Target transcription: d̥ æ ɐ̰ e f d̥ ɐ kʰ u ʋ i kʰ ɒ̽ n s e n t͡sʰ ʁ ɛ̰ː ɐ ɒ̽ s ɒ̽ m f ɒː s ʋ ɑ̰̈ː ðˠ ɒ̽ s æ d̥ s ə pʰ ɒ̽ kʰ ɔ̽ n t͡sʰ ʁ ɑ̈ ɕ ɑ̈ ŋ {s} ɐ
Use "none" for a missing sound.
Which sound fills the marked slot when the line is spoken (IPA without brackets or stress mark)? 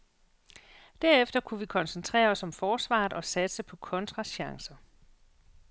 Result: s